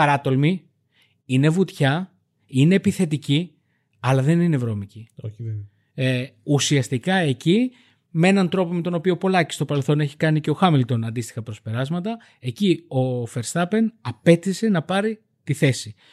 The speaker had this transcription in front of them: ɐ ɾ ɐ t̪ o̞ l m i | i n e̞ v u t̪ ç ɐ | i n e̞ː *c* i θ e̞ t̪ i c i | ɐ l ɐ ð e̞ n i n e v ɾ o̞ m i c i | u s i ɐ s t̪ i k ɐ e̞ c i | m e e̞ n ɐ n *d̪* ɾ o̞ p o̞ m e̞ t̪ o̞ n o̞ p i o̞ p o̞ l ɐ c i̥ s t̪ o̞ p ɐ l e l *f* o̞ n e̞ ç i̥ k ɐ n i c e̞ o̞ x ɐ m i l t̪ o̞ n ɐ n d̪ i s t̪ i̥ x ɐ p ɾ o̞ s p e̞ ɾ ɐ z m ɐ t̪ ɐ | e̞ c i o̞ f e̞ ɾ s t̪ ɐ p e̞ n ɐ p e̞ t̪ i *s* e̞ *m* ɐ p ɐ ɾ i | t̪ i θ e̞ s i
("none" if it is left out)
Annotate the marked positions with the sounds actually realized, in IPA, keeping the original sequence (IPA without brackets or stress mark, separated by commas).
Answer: p, t̪, θ, s, n